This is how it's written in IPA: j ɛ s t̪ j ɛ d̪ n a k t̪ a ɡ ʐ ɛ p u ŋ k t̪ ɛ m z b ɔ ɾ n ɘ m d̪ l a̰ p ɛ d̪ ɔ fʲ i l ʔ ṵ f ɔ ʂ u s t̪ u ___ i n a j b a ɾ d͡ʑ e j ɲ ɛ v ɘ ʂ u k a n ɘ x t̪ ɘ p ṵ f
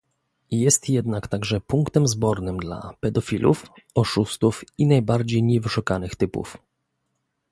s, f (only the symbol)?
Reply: f